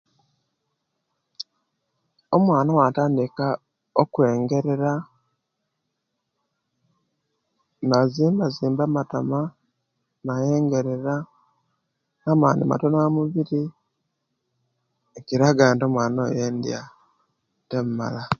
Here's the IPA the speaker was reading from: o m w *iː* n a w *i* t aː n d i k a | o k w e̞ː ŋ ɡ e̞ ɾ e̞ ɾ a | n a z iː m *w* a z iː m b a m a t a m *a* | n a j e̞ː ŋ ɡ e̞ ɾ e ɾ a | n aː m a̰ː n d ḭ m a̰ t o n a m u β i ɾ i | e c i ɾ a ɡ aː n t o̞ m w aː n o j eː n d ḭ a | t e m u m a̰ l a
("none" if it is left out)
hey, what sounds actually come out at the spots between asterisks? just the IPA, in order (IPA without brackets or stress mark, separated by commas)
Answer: aː, a, b, a